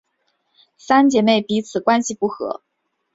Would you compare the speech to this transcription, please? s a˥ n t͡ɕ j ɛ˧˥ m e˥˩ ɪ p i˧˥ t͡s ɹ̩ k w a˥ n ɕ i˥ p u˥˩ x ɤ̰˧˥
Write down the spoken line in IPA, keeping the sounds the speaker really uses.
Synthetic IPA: s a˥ n t͡ɕ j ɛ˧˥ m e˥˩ ɪ p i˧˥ t͡sʰ ɹ̩ k w a˥ n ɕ i˨ p u˥˩ x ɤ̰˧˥